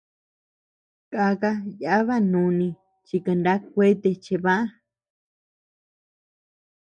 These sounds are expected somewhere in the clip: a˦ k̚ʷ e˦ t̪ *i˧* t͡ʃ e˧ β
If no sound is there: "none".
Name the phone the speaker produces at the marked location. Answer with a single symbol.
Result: e˧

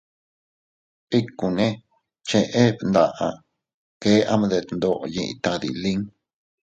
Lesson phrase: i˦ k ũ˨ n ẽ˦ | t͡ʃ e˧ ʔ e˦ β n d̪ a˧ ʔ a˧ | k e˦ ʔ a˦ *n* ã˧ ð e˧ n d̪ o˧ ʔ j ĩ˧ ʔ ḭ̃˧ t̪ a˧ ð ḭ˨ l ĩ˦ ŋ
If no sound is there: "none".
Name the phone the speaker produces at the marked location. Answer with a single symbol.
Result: m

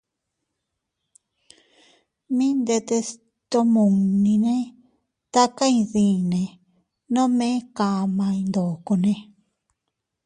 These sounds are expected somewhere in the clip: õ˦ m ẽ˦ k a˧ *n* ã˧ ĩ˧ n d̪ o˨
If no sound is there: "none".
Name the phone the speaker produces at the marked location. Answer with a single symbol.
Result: m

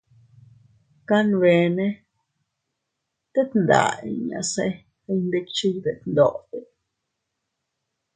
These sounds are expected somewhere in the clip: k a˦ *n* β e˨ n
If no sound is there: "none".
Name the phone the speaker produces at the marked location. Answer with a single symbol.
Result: n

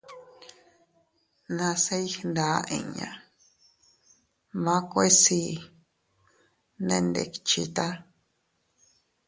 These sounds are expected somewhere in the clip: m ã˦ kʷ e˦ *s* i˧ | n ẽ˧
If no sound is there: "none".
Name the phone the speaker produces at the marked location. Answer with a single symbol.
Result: s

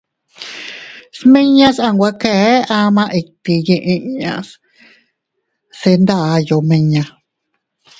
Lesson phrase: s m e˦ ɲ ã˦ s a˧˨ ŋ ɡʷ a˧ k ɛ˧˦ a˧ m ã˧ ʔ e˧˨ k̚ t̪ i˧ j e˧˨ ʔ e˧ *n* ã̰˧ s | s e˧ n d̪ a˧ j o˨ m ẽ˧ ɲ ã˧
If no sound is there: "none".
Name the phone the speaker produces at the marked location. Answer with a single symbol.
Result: ɲ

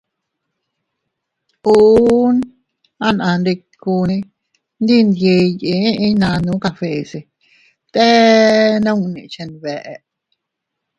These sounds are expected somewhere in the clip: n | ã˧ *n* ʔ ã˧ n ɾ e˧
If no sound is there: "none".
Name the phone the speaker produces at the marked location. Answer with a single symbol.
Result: n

